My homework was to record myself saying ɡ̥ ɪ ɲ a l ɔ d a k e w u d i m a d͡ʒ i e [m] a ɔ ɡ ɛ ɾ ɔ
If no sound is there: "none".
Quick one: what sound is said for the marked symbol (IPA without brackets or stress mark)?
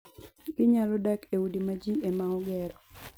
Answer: m